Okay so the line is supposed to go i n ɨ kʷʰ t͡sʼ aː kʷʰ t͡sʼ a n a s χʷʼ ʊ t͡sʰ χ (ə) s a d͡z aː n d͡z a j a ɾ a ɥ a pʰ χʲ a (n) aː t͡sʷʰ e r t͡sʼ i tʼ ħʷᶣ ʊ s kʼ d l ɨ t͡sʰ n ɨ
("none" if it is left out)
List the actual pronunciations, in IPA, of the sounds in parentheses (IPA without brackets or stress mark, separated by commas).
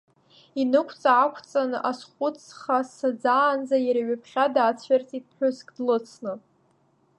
a, d